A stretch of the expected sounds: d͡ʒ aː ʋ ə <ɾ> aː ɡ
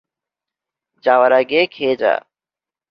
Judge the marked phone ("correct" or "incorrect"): correct